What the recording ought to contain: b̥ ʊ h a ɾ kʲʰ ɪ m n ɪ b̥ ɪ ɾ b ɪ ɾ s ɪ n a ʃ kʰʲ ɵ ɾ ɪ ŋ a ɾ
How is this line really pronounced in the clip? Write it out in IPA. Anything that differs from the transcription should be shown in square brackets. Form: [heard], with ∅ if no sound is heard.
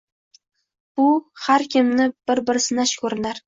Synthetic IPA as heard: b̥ ʊ h a ɾ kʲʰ ɪ m n ɪ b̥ ɪ ɾ b ɪ ɾ s ɪ n a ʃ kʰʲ ɵ ɾ ɪ [n] a ɾ